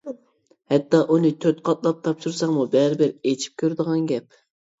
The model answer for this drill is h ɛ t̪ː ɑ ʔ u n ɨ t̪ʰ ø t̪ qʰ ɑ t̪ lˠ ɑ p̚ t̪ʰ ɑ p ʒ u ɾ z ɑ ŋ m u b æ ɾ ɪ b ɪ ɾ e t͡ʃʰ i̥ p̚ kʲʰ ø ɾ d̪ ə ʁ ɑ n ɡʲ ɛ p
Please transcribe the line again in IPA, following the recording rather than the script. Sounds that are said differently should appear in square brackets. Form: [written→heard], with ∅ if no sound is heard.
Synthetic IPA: h ɛ t̪ː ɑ ʔ u n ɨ t̪ʰ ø t̪ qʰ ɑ t̪ lˠ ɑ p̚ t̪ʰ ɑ p [ʒ→ʃ] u ɾ [z→s] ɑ ŋ m u b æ ɾ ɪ b ɪ ɾ e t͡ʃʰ i̥ p̚ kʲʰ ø ɾ d̪ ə ʁ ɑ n ɡʲ ɛ p